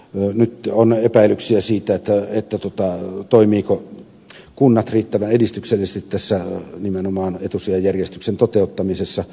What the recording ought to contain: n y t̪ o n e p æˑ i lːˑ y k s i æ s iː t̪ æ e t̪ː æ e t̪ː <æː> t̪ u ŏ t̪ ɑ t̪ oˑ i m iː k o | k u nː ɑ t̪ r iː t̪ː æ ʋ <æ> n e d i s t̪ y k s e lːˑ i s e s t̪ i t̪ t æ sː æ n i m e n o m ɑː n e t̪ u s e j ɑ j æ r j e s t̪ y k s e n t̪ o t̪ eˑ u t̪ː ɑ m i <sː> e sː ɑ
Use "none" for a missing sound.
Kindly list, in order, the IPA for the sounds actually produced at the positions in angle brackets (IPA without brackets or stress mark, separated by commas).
æ, æ, s